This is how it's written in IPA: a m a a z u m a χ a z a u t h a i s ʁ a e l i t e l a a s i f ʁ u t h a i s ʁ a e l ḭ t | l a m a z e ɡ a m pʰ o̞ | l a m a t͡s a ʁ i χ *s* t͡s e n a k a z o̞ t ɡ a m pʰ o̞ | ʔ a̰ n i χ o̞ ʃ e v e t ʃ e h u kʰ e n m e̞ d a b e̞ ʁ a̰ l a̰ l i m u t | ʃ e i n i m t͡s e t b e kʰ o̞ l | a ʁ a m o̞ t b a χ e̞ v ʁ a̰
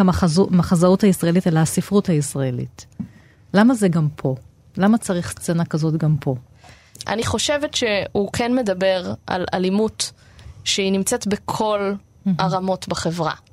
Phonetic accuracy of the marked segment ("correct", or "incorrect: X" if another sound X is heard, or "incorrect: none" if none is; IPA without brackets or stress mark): correct